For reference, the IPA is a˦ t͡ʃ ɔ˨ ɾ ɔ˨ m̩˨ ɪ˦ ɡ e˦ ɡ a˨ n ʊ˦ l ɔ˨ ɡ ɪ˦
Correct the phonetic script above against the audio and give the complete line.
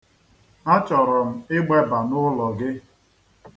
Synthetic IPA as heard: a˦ t͡ʃ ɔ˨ ɾ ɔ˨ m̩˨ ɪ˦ ɡ͡b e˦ b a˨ n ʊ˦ l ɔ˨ ɡ ɪ˦